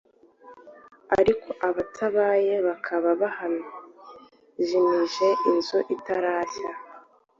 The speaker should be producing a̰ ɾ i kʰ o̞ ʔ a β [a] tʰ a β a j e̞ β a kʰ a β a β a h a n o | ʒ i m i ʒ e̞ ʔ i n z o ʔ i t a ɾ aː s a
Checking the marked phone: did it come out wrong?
no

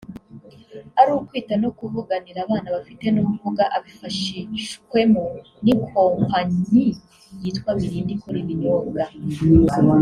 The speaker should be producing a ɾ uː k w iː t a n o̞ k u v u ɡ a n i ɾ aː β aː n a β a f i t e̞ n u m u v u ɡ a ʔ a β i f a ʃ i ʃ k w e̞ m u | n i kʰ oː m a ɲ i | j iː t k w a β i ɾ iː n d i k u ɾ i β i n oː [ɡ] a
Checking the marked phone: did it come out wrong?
no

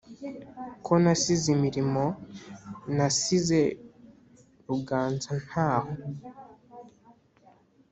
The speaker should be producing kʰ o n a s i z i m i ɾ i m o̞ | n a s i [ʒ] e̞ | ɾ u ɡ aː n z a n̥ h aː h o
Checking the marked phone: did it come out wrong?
yes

